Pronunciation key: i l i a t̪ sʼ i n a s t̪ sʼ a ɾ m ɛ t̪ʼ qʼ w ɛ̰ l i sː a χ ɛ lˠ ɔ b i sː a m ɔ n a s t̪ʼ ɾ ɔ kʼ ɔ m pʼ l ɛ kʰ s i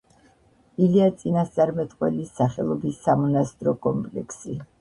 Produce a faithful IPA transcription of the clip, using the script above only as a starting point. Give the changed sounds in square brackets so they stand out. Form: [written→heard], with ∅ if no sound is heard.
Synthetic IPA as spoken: i l i a t̪ sʼ i n a s t̪ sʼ a ɾ m ɛ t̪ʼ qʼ w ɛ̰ l i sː a χ ɛ lˠ ɔ b i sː a m ɔ n a s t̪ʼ ɾ ɔ kʼ ɔ m pʼ l ɛ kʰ s i